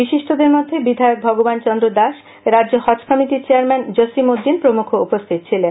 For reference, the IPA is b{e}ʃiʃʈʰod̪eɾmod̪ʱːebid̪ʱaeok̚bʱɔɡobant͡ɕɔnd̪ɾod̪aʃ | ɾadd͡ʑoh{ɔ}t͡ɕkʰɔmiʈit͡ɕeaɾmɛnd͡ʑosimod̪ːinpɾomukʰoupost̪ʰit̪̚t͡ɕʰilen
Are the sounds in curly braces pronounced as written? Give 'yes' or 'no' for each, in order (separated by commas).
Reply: no, yes